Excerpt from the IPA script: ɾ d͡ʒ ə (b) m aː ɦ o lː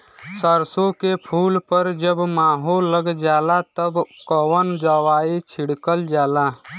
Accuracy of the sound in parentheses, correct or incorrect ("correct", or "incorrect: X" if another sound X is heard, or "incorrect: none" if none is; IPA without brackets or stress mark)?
correct